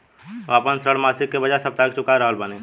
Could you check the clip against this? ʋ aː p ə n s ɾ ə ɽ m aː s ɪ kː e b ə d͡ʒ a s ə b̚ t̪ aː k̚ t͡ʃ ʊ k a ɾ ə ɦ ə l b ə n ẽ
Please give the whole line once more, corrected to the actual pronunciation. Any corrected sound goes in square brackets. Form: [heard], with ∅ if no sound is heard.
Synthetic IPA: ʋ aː p ə n s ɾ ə ɽ m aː s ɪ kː e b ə d͡ʒ a s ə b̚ t̪ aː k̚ t͡ʃ ʊ k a ɾ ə ɦ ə l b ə n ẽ